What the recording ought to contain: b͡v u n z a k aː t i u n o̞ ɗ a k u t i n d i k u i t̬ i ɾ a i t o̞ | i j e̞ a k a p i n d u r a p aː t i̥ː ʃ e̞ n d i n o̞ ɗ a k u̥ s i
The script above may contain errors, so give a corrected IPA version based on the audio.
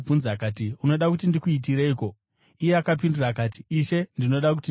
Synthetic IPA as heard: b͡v u n z a k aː t i u n o̞ ɗ a k u t i n d i k u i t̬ i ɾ e i k o̞ | i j e̞ a k a p i n d u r a k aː t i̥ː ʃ e̞ n d i n o̞ ɗ a k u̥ t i